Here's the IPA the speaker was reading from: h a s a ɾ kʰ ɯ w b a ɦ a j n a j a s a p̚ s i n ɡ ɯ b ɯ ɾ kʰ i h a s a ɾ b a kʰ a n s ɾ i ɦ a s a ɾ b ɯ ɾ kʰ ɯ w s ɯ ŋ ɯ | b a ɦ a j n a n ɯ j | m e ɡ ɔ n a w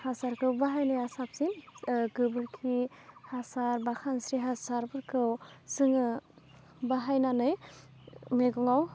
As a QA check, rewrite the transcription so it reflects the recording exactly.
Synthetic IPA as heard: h a s a ɾ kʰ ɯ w b a ɦ a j n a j a s a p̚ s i n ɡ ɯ b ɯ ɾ kʰ i h a s a ɾ b a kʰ a n s ɾ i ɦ a s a ɾ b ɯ ɾ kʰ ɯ w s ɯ ŋ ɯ | b a ɦ a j n a n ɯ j | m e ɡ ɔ ŋ a w